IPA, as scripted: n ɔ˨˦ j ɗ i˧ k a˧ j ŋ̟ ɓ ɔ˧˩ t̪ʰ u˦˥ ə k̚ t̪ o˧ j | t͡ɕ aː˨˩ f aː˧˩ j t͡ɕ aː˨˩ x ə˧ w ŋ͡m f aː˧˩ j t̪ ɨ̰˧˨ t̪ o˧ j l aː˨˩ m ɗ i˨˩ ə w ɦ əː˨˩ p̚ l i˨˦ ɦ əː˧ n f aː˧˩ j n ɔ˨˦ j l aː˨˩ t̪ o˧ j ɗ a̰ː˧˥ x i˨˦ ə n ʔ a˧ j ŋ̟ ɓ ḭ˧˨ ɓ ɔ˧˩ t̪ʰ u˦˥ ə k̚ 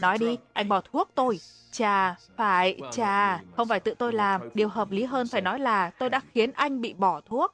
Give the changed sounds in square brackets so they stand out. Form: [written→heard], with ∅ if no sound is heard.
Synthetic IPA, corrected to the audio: n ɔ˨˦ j ɗ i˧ [k→ʔ] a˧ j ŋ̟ ɓ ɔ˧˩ t̪ʰ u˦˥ ə k̚ t̪ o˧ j | t͡ɕ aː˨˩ f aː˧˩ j t͡ɕ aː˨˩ x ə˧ w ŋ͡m f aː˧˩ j t̪ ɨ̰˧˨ t̪ o˧ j l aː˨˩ m ɗ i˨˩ ə w ɦ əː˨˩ p̚ l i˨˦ ɦ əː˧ n f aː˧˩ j n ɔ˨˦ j l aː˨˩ t̪ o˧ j ɗ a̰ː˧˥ x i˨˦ ə n ʔ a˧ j ŋ̟ ɓ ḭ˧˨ ɓ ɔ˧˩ t̪ʰ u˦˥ ə k̚